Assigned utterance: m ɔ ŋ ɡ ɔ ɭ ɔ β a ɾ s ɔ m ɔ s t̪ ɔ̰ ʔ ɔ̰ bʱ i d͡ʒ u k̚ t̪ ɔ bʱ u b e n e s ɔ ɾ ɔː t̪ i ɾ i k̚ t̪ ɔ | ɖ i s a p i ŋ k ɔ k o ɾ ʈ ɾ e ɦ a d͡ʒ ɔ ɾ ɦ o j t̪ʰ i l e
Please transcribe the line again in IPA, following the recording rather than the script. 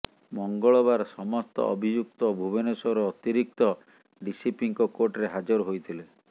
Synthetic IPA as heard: m ɔ ŋ ɡ ɔ ɭ ɔ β a ɾ s ɔ m ɔ s t̪ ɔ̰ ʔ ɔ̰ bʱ i d͡ʒ u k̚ t̪ ɔ bʱ u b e n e s ɔ ɾ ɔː t̪ i ɾ i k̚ t̪ ɔ | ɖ i s i p i ŋ k ɔ k o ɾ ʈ ɾ e ɦ a d͡ʒ ɔ ɾ ɦ o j t̪ʰ i l e